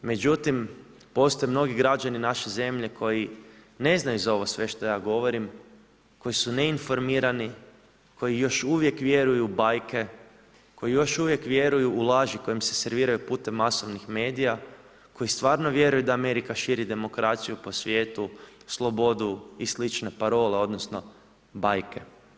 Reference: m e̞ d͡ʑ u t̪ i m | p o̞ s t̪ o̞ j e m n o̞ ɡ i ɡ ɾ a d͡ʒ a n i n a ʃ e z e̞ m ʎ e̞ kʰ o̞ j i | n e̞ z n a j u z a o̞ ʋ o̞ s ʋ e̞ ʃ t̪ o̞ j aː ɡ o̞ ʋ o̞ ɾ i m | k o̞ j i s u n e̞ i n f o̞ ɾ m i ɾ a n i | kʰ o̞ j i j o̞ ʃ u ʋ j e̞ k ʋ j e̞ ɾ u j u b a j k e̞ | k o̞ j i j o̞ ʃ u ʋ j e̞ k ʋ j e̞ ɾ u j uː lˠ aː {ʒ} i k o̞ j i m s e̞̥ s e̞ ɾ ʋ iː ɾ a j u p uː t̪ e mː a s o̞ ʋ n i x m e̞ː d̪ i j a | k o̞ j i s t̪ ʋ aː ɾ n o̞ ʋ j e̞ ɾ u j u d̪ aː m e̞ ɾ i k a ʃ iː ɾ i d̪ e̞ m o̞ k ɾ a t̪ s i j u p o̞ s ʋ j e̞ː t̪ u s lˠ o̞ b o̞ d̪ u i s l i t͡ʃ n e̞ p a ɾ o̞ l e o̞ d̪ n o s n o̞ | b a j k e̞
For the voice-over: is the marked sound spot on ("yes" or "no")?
yes